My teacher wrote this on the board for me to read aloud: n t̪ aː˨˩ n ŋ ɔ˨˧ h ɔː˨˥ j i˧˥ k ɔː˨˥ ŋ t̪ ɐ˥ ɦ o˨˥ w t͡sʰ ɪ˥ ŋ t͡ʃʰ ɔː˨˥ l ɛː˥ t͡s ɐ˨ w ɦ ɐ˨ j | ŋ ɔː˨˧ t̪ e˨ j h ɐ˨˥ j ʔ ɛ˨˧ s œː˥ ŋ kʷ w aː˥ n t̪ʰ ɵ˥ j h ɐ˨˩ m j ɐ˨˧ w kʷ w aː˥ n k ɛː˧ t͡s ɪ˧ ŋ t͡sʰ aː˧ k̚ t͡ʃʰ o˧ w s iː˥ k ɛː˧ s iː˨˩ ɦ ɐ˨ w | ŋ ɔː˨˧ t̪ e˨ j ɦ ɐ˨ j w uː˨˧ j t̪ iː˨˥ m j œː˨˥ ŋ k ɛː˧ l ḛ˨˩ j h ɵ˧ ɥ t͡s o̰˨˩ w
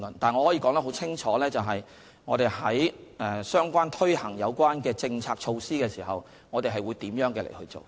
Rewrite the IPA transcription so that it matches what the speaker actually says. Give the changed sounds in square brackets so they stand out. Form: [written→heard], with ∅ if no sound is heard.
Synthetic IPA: n t̪ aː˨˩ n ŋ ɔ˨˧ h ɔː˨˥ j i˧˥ k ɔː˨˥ ŋ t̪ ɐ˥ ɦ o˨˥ w t͡sʰ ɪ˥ ŋ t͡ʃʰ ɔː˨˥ l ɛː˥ t͡s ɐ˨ w ɦ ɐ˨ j | ŋ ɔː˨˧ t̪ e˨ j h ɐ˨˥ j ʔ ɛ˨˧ s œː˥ ŋ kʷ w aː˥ n t̪ʰ ɵ˥ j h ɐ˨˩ [m→ŋ] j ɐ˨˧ w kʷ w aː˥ n k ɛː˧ t͡s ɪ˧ ŋ t͡sʰ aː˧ k̚ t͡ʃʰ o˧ w s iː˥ k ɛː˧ s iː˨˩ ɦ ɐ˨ w | ŋ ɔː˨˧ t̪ e˨ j ɦ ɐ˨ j w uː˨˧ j t̪ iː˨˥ m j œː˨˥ ŋ k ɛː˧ l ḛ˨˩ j h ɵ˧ ɥ t͡s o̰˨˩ w